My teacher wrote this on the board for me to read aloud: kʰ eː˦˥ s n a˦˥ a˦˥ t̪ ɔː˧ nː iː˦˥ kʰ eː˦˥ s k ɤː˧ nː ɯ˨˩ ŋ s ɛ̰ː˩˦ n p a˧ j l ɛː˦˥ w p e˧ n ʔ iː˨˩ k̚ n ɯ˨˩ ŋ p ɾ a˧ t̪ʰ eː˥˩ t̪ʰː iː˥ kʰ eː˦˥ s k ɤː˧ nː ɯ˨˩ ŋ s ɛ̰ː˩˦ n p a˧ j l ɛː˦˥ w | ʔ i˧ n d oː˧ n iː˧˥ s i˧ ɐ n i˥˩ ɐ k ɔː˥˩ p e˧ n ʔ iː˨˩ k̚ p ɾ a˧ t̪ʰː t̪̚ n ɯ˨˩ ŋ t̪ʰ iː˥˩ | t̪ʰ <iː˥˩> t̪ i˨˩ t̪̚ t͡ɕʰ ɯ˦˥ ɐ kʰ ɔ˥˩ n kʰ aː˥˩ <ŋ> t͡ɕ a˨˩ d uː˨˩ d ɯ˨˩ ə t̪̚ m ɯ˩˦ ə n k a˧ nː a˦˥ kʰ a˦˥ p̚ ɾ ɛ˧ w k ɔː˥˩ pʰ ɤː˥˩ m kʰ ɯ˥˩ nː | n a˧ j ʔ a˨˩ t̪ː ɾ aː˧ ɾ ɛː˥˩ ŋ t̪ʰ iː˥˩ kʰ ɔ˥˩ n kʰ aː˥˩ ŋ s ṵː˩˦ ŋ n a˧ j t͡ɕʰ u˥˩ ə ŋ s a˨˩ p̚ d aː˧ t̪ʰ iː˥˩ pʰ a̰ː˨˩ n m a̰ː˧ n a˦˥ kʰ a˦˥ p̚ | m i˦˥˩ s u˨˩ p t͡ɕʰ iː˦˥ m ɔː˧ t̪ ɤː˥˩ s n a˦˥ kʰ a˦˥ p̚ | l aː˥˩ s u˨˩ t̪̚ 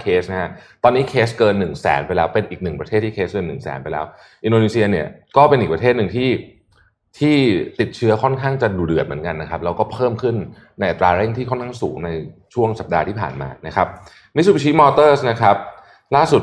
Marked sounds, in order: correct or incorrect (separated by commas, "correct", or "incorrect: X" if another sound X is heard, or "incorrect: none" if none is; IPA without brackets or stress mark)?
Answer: correct, correct